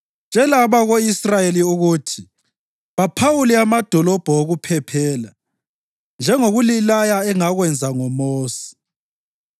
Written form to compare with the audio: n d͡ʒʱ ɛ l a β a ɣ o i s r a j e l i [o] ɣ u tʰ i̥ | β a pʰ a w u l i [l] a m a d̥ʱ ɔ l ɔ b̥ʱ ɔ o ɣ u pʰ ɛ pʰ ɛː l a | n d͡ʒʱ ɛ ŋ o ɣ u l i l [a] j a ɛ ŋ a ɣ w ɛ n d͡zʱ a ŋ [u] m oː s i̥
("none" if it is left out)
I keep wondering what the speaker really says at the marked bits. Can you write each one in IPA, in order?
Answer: u, none, a, ɔ

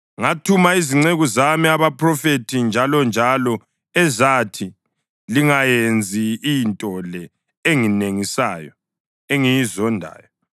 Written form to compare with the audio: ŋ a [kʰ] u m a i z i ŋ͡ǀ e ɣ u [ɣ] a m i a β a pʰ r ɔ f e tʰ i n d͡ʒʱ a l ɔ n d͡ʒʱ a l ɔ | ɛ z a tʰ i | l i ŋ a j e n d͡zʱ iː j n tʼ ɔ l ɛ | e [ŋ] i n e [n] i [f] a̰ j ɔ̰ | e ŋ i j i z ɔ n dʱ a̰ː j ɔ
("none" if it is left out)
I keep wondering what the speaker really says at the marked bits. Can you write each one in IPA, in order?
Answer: tʰ, z, ŋ, ŋ, s

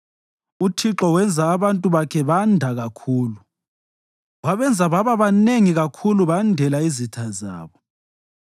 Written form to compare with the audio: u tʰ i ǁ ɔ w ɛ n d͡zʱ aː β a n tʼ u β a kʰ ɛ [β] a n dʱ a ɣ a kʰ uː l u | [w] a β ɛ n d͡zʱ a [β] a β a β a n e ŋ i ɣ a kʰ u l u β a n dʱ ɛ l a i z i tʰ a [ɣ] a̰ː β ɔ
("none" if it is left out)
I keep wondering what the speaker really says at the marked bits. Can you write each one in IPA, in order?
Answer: β, w, β, z

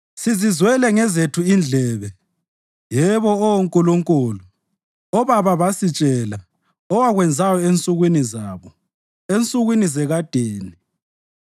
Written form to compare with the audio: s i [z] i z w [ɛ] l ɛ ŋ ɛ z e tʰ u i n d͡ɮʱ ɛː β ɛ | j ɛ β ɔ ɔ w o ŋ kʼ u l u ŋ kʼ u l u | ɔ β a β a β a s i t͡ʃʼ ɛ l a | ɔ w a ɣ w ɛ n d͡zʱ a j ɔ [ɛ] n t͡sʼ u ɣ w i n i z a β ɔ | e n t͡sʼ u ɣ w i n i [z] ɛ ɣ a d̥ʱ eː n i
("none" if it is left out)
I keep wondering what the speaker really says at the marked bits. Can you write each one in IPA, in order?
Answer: z, ɛ, e, z

